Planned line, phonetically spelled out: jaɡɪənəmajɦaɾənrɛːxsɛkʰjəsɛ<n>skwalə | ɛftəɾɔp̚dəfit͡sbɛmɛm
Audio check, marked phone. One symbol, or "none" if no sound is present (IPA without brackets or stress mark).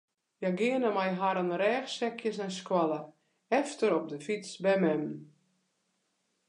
n